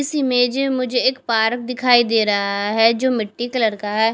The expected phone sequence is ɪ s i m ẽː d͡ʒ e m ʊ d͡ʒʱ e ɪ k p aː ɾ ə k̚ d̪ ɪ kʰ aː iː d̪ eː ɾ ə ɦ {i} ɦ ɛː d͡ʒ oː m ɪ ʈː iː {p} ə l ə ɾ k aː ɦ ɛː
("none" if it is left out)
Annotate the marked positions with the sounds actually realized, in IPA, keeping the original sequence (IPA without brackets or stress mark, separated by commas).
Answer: a, k